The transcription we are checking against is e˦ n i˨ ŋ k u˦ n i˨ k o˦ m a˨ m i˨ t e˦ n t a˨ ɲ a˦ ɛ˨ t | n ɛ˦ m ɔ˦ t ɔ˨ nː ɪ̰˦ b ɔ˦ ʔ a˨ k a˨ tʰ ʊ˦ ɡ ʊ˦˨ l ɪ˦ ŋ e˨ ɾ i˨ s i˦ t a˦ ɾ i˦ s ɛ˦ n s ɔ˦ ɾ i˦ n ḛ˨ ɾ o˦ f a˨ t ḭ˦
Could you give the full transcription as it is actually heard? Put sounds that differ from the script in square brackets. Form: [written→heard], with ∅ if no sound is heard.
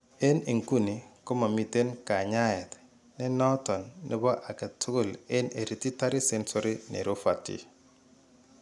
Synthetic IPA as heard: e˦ n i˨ ŋ k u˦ n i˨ k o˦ m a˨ m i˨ t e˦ n [t→k] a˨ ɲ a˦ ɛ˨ t | n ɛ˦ [m→n] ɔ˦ t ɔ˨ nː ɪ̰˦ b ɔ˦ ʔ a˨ k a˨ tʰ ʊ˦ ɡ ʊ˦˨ l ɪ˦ [ŋ→n] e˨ ɾ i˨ [s→t] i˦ t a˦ ɾ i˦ s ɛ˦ n s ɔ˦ ɾ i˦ n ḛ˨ ɾ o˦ f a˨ t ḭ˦